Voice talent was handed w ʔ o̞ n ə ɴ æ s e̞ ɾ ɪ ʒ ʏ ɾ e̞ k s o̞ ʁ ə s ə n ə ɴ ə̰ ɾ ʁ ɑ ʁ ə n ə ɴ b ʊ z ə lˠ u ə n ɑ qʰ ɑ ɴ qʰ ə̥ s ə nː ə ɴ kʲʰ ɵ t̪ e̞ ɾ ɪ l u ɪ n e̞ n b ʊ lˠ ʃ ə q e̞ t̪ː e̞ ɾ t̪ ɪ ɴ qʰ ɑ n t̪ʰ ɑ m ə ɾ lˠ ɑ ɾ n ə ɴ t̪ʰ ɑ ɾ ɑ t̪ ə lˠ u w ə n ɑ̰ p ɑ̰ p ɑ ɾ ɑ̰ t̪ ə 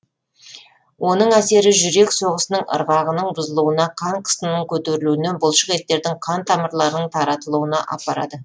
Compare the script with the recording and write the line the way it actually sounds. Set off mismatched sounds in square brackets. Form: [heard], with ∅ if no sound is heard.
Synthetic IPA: w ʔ o̞ n ə ɴ æ s e̞ ɾ ɪ ʒ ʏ ɾ e̞ k s o̞ ʁ ə s ə n ə ɴ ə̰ ɾ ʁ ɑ ʁ ə n ə ɴ b ʊ z ə lˠ u ə n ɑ qʰ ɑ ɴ qʰ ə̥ s ə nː ə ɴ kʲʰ ɵ t̪ e̞ ɾ ɪ l u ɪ n e̞ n b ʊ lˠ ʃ ə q e̞ t̪ː e̞ ɾ [d̪] ɪ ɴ qʰ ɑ n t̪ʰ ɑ m ə ɾ lˠ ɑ ɾ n ə ɴ t̪ʰ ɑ ɾ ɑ t̪ ə lˠ u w ə n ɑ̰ [ʔ] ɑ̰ p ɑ ɾ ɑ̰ [d̪] ə